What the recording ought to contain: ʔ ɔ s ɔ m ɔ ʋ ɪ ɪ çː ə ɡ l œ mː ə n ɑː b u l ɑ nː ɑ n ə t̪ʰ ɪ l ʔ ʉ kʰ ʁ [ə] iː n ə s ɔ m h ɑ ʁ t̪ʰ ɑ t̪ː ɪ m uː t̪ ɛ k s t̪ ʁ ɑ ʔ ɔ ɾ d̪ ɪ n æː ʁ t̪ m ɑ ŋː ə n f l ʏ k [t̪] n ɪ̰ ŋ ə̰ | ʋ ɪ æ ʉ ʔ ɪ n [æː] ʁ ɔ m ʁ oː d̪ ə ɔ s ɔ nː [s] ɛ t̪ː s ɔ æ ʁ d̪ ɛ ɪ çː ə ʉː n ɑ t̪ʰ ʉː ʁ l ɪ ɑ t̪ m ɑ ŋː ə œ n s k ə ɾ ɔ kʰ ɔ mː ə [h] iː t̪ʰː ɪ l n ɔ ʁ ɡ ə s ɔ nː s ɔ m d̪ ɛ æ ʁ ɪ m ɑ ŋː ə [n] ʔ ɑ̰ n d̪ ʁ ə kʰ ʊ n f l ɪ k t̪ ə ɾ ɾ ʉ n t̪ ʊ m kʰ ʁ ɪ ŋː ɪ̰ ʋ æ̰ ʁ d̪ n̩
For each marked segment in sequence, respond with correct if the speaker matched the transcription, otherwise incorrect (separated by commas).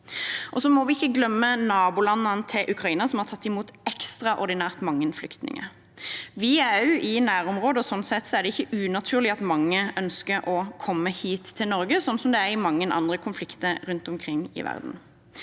incorrect, correct, correct, correct, correct, correct